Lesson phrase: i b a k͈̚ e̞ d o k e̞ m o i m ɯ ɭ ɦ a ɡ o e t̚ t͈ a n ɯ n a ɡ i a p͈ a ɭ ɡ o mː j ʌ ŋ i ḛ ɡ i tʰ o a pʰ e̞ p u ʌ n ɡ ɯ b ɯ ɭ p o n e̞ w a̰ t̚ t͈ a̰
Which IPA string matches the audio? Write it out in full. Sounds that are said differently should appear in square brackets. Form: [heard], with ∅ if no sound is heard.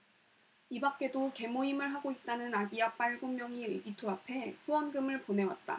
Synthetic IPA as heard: i b a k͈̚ e̞ d o k e̞ m o i m ɯ ɭ ɦ a ɡ o [i] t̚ t͈ a n ɯ n a ɡ i a p͈ a ɭ ɡ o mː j ʌ ŋ i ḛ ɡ i tʰ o a pʰ e̞ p u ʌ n ɡ ɯ [m] ɯ ɭ p o n e̞ w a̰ t̚ t͈ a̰